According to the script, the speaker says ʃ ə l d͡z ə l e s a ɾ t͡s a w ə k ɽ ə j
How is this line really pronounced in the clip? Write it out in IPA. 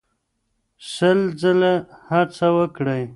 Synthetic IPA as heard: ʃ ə l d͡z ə l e h a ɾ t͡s a w ə k ɽ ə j